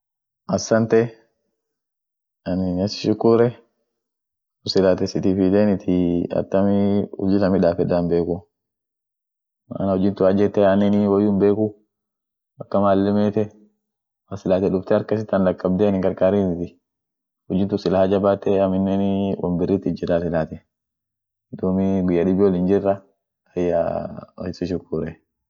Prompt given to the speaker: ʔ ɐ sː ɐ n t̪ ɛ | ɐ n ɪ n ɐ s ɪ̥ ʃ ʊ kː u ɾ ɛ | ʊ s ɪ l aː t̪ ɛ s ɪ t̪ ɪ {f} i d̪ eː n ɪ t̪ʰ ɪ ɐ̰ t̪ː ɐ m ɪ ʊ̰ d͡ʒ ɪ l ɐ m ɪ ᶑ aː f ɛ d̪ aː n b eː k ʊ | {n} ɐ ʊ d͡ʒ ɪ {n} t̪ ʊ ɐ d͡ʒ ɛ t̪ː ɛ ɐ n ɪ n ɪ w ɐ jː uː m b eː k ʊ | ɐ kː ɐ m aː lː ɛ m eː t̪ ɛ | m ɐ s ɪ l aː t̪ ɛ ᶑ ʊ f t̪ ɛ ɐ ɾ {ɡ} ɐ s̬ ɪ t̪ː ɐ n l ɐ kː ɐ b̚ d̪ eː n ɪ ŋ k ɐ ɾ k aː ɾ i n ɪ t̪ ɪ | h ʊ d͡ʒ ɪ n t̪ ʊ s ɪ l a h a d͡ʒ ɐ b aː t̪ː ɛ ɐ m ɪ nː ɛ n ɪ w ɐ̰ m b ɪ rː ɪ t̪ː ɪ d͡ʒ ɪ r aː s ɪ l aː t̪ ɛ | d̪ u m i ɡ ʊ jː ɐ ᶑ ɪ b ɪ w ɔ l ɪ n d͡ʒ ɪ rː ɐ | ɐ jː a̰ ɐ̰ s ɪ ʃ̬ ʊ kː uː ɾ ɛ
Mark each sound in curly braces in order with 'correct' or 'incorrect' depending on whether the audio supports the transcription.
correct, correct, correct, incorrect

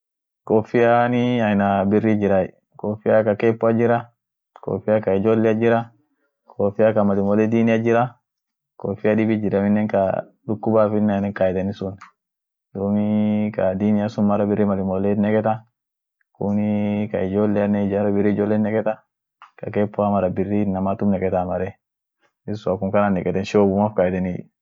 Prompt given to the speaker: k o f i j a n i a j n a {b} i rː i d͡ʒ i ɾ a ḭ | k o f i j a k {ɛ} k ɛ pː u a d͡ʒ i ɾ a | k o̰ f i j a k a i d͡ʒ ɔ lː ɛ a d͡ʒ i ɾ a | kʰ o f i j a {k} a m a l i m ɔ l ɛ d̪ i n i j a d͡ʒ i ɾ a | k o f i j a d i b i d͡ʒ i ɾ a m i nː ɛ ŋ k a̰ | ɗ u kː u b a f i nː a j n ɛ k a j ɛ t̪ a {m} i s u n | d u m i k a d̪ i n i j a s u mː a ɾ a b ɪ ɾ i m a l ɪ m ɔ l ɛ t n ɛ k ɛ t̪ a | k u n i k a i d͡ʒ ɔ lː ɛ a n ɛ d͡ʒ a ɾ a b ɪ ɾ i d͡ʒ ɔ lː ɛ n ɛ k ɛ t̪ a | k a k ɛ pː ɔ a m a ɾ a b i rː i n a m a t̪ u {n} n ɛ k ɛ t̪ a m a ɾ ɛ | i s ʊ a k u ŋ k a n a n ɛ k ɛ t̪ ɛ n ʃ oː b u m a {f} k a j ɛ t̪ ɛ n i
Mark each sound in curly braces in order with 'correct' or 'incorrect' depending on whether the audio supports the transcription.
correct, incorrect, correct, incorrect, incorrect, correct

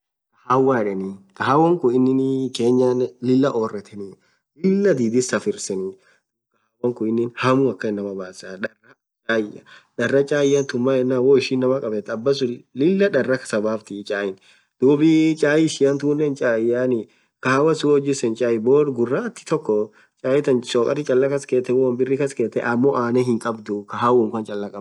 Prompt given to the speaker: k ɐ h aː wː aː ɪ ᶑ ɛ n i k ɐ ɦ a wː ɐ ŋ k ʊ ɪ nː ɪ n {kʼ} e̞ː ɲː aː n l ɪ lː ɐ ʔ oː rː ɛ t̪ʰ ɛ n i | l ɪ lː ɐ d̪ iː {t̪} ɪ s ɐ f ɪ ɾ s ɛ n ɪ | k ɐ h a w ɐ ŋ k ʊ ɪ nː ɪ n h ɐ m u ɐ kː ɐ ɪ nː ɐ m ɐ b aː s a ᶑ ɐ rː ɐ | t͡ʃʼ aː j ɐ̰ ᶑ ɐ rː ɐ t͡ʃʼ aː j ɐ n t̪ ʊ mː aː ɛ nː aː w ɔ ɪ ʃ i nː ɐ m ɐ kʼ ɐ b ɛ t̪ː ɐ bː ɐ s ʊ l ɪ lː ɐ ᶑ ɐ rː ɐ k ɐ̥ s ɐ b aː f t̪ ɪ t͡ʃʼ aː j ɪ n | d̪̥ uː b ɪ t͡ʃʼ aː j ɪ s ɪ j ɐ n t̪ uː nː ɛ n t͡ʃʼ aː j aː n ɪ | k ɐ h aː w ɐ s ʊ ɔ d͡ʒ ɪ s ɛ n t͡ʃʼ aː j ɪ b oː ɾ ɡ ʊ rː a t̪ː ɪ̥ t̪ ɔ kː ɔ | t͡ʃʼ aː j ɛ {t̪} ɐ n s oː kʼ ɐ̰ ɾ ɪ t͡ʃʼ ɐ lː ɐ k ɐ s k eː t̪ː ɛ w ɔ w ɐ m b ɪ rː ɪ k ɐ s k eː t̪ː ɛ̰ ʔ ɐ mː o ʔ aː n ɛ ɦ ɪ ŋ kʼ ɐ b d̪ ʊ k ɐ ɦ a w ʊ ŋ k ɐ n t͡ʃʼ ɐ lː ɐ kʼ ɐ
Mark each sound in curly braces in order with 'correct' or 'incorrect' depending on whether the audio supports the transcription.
incorrect, incorrect, correct

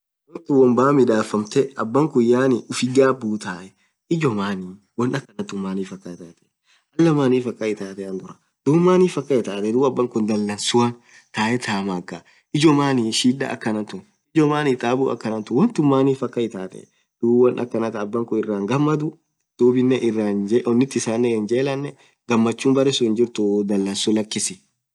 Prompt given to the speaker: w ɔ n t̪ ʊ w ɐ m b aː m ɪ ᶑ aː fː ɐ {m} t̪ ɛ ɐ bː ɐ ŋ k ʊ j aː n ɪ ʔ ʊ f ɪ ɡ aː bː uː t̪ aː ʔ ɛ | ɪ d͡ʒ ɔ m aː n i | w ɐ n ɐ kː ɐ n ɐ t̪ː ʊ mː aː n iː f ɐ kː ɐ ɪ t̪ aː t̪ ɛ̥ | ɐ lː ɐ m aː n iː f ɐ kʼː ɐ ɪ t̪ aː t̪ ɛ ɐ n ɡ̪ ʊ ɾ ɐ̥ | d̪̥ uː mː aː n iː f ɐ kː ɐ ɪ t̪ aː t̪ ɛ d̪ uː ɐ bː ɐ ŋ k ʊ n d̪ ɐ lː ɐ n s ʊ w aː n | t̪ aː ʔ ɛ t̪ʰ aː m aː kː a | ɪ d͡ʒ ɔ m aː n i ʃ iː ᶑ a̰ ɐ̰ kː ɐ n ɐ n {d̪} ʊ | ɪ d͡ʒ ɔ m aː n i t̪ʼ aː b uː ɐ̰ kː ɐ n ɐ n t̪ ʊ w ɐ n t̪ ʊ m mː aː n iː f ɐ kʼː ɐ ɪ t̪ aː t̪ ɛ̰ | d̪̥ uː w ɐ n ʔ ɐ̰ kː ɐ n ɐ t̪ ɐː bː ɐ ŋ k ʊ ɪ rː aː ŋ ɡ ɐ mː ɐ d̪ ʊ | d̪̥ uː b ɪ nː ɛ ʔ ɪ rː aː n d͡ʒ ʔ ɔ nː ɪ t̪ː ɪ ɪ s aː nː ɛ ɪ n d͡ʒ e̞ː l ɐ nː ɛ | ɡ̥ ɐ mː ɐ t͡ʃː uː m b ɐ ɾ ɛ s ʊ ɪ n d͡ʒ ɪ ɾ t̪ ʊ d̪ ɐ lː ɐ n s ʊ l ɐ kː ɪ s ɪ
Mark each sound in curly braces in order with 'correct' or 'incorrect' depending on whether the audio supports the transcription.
correct, incorrect

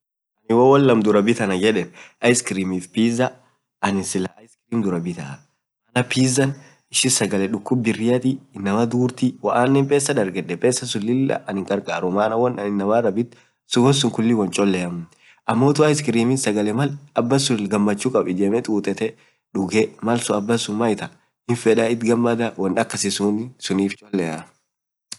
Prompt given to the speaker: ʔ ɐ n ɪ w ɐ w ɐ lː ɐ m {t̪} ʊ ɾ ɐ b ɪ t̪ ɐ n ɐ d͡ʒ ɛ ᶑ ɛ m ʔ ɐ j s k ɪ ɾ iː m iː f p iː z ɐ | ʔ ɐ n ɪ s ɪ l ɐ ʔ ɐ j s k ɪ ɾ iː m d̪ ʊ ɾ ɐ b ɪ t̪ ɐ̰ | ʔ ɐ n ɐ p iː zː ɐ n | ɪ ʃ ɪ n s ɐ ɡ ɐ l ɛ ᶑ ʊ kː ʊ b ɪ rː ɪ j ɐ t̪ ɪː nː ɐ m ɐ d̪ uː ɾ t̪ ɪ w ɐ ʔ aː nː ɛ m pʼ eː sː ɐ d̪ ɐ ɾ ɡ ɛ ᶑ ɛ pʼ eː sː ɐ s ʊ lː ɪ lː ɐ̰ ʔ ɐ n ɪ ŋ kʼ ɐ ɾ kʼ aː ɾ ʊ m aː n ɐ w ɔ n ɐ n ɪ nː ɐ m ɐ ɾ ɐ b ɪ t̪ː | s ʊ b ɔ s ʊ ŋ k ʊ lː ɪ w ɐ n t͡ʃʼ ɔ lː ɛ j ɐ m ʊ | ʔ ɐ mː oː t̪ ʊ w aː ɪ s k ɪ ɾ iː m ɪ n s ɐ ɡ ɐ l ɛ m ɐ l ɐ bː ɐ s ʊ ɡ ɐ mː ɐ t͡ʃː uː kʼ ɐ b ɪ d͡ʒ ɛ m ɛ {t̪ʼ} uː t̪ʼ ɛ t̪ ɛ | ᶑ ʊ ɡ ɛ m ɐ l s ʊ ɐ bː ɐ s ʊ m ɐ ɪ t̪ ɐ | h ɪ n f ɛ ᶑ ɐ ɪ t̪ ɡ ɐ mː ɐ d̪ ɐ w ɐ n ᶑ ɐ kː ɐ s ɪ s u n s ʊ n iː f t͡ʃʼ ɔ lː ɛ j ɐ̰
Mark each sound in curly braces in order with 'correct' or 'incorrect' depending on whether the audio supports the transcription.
incorrect, correct

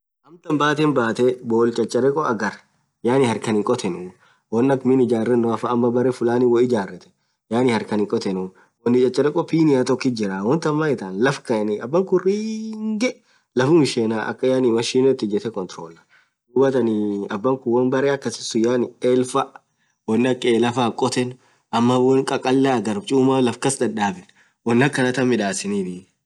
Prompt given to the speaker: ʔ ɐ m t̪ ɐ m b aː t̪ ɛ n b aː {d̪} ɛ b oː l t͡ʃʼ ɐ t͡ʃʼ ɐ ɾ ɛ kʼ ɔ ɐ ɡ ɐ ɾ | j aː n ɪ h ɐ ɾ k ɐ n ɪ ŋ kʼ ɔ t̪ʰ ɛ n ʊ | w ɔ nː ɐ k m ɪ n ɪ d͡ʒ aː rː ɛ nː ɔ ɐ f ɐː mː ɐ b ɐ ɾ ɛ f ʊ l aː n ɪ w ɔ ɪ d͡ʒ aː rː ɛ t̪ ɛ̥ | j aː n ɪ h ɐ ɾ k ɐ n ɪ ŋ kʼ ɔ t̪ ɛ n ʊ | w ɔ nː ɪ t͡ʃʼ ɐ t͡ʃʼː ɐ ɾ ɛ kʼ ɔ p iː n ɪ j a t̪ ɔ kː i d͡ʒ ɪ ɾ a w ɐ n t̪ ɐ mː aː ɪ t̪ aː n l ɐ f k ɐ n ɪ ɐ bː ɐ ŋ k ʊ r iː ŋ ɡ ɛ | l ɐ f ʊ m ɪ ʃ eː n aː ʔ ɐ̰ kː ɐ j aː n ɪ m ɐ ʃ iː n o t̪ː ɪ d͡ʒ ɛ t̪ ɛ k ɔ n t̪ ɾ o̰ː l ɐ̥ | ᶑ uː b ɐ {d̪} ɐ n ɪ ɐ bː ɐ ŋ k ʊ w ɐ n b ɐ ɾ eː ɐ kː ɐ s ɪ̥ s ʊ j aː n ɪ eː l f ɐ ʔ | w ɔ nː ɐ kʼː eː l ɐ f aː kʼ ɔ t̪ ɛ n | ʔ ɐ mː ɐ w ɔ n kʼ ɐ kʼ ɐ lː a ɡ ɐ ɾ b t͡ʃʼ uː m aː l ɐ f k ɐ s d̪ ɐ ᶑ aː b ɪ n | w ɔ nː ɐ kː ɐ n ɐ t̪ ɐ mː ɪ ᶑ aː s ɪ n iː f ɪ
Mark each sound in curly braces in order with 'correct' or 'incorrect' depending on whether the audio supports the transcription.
incorrect, incorrect

